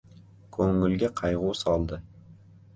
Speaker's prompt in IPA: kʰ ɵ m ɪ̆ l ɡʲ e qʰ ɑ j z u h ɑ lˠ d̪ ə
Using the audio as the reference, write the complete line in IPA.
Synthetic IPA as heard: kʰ ɵ ŋ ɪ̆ l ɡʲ e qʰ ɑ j ʁ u s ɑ lˠ d̪ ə

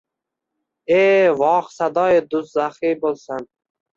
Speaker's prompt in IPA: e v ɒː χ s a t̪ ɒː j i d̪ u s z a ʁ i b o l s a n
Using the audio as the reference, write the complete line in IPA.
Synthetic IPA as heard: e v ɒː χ s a d̪ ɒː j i d̪ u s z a χ i b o l s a n

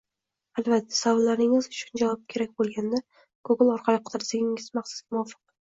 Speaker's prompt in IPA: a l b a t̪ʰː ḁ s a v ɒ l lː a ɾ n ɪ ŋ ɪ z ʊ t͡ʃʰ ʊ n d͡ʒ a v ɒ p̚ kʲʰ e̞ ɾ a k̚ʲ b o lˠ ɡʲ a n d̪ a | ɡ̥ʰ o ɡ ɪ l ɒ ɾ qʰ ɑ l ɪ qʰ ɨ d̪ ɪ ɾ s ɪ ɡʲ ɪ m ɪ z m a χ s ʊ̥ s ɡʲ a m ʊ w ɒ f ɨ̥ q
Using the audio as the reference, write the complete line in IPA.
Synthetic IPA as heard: a l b a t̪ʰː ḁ s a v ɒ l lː a ɾ n ɪ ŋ ɪ z ʊ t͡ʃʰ ʊ n d͡ʒ a v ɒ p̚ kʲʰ e̞ ɾ a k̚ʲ b o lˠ ɡʲ a n d̪ a | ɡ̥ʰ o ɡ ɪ l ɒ ɾ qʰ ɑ l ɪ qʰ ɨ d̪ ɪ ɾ s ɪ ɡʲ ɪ ŋ ɪ z m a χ s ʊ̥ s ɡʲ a m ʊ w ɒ f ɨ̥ q

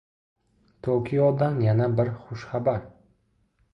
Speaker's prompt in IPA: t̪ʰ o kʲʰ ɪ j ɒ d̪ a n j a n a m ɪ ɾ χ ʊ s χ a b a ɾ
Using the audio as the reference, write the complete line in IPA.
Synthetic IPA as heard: t̪ʰ o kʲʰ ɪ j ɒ d̪ a n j a n a b ɪ ɾ χ ʊ ʃ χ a b a ɾ

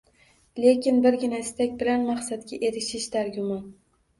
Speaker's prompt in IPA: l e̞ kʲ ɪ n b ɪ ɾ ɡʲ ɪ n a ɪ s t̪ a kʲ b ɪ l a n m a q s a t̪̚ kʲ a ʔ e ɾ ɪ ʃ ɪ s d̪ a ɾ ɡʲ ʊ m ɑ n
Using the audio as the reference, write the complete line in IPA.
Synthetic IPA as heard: l e̞ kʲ ɪ n b ɪ ɾ ɡʲ ɪ n a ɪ s t̪ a kʲ b ɪ l a n m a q s a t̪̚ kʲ a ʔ e ɾ ɪ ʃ ɪ ʃ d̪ a ɾ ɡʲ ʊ m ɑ n

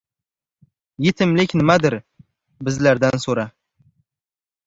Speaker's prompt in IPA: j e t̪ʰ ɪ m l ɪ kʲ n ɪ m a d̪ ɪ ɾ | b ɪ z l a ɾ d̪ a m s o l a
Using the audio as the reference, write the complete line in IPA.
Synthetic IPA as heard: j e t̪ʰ ɪ m l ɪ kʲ n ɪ m a d̪ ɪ ɾ | b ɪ z l a ɾ d̪ a n s o ɾ a

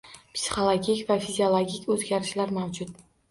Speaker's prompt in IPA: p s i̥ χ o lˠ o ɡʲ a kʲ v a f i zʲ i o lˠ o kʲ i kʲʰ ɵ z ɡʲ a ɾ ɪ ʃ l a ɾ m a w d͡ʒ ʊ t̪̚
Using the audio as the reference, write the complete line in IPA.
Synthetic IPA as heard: p s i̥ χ o lˠ o ɡʲ i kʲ v a f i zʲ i o lˠ o ɡʲ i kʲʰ ɵ z ɡʲ a ɾ ɪ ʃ l a ɾ m a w d͡ʒ ʊ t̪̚

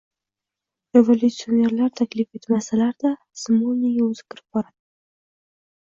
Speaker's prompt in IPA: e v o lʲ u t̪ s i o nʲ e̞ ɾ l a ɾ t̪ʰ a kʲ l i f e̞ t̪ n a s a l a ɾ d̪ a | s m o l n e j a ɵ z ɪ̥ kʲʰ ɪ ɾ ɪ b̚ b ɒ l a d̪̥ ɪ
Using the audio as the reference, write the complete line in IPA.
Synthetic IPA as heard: e v o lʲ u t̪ s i o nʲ e̞ ɾ l a ɾ t̪ʰ a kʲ l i f e̞ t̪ m a s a l a ɾ d̪ a | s m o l n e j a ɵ z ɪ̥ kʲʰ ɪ ɾ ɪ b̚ b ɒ ɾ a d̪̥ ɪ

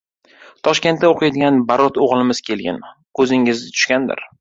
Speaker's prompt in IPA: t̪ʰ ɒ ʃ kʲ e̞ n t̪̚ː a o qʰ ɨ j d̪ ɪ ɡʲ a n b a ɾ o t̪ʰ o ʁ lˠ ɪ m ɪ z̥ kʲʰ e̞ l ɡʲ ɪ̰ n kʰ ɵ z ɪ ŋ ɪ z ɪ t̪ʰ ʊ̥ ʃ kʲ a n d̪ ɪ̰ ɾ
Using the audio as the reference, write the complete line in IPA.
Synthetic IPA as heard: t̪ʰ ɒ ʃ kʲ e̞ n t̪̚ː a o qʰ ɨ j d̪ ɪ ɡʲ a n b a ɾ ɒ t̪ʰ o ʁ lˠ ɪ m ɪ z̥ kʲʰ e̞ l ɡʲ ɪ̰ n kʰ ɵ z ɪ ŋ ɪ z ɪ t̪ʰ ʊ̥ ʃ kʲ a n d̪ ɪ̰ ɾ

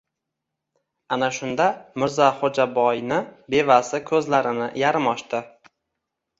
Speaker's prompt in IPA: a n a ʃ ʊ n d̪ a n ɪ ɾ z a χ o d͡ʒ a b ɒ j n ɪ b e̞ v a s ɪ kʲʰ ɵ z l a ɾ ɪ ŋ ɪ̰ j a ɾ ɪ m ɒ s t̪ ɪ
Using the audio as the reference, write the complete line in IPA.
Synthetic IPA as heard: a n a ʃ ʊ n d̪ a m ɪ ɾ z a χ o d͡ʒ a b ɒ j n ɪ b e̞ v a s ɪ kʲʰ ɵ z l a ɾ ɪ n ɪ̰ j a ɾ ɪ m ɒ ʃ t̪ ɪ

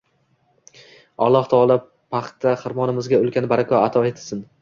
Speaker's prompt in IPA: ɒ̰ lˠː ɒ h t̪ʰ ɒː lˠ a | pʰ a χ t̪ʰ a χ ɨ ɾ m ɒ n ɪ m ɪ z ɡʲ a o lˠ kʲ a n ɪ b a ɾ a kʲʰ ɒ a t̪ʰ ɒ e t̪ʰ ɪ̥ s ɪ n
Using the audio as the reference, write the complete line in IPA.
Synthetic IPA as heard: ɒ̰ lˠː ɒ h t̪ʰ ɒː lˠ a | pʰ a χ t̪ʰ a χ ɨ ɾ m ɒ n ɪ m ɪ z ɡʲ a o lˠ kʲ a n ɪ b a ɾ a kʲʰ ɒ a t̪ʰ ɒ e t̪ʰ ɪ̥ s ɪ n

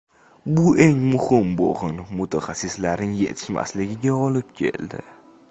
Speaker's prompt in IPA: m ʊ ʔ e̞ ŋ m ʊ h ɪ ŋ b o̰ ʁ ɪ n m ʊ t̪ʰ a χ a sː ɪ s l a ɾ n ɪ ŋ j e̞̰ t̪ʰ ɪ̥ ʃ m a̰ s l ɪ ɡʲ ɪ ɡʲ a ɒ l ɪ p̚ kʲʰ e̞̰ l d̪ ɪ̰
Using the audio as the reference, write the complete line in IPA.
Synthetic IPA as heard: b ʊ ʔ e̞ ŋ m ʊ h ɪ m b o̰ ʁ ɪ n m ʊ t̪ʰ a χ a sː ɪ s l a ɾ n ɪ ŋ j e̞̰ t̪ʰ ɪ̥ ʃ m a̰ s l ɪ ɡʲ ɪ ɡʲ a ɒ l ɪ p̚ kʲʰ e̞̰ l d̪ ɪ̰

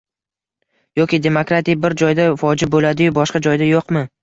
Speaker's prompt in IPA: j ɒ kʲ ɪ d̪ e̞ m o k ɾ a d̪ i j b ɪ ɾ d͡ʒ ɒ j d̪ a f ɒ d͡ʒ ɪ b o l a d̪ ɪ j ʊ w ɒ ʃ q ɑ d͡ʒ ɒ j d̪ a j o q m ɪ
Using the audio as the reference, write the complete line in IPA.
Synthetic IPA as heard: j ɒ kʲ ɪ d̪ e̞ m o k ɾ a t̪ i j b ɪ ɾ d͡ʒ ɒ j d̪ a f ɒ d͡ʒ ɪ b o l a d̪ ɪ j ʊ b ɒ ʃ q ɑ d͡ʒ ɒ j d̪ a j o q m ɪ

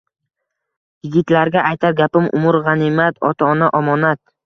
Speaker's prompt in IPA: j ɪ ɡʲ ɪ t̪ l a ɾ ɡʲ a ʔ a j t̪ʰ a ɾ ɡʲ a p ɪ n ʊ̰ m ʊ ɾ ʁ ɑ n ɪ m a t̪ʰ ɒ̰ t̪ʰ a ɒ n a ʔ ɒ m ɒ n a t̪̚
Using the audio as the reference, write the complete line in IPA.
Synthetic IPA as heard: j ɪ ɡʲ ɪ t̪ l a ɾ ɡʲ a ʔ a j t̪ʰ a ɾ ɡʲ a p ɪ m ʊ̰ m ʊ ɾ ʁ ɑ n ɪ m a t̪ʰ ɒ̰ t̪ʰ a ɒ n a ʔ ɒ m ɒ n a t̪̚

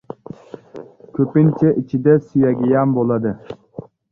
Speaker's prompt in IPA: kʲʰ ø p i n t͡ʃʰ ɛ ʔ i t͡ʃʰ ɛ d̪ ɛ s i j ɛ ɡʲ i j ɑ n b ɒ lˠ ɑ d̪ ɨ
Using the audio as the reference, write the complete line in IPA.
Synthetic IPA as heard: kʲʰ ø p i n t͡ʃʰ ɛ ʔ i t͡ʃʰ i d̪ ɛ s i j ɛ ɡʲ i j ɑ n b o lˠ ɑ d̪ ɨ

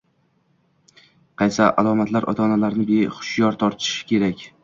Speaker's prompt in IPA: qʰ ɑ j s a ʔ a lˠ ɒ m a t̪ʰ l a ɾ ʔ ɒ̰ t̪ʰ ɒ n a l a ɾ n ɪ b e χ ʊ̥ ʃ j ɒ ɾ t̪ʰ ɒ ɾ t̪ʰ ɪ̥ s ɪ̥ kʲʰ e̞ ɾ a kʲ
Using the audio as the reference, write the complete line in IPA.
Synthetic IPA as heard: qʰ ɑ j s a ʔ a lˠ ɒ m a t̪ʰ l a ɾ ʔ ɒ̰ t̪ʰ ɒ n a l a ɾ n ɪ b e χ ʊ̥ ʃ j ɒ ɾ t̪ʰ ɒ ɾ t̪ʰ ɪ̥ ʃ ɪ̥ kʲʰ e̞ ɾ a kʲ

